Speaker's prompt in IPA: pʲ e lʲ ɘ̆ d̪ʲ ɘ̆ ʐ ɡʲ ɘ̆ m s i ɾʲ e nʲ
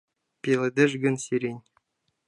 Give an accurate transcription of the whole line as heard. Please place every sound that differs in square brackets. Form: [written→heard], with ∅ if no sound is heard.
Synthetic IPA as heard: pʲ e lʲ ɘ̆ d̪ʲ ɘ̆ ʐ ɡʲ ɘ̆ [m→n] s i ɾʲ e nʲ